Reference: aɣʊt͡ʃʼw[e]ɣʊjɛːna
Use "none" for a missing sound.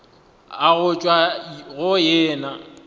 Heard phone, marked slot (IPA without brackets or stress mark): a